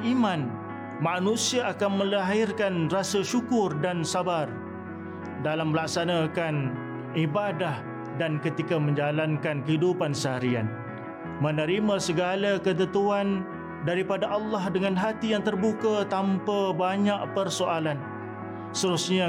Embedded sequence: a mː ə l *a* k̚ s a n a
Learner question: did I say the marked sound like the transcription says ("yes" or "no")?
yes